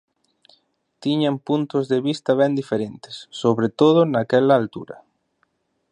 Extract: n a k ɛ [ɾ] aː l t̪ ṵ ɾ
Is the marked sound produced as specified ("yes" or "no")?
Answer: no